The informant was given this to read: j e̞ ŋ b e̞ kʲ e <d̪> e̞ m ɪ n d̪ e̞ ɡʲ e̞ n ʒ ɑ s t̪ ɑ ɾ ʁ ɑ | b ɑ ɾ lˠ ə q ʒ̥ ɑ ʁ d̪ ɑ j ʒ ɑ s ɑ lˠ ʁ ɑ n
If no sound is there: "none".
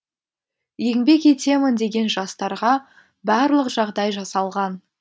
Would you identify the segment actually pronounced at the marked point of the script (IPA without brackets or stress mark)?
t̪